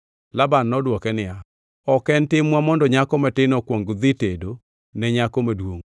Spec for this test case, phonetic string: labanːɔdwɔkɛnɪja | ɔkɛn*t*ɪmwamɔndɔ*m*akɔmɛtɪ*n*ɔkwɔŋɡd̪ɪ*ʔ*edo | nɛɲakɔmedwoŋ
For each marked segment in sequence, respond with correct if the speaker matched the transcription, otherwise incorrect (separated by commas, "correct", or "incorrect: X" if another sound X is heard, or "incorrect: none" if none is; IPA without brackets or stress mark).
correct, incorrect: ɲ, correct, incorrect: t